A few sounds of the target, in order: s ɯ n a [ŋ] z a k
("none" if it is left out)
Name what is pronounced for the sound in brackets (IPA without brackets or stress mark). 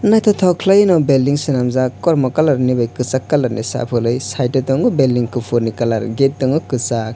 m